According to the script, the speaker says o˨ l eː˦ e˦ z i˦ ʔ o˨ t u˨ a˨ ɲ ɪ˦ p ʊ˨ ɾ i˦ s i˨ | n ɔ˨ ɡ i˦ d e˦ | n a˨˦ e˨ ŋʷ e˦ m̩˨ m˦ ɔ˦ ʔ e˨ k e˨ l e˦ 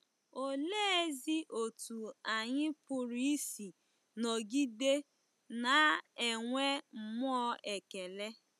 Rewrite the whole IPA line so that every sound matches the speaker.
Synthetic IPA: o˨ l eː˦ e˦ z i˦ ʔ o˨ t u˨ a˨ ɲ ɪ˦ p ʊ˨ ɾ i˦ s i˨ | n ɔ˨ ɡ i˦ d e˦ | n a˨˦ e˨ ŋʷ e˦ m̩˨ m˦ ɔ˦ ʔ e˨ k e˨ l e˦